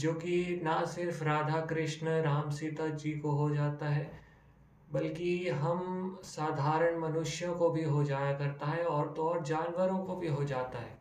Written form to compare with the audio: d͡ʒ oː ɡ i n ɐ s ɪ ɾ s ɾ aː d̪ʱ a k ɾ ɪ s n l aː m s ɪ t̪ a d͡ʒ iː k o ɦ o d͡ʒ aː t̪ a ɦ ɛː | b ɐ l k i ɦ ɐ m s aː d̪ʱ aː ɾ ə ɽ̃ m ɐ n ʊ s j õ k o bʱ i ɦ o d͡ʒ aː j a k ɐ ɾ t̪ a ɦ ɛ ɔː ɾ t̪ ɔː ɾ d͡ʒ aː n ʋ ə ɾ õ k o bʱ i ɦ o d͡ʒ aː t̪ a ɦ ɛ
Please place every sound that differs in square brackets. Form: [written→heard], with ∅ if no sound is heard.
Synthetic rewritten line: d͡ʒ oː [ɡ→k] i n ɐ s ɪ ɾ [s→f] ɾ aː d̪ʱ a k ɾ ɪ [s→ʃ] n [l→ɾ] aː m s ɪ t̪ a d͡ʒ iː k o ɦ o d͡ʒ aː t̪ a ɦ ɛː | b ɐ l k i ɦ ɐ m s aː d̪ʱ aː ɾ ə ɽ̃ m ɐ n ʊ [s→ʃ] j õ k o bʱ i ɦ o d͡ʒ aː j a k ɐ ɾ t̪ a ɦ ɛ ɔː ɾ t̪ ɔː ɾ d͡ʒ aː n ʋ ə ɾ õ k o bʱ i ɦ o d͡ʒ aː t̪ a ɦ [ɛ→ɛː]